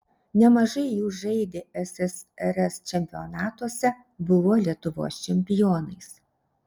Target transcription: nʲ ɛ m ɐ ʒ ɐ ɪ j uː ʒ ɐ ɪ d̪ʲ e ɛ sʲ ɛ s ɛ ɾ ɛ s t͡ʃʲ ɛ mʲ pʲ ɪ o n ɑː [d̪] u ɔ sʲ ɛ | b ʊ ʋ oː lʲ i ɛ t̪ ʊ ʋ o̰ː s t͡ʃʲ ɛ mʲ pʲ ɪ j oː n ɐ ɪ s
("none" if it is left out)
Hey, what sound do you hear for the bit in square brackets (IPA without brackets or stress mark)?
t̪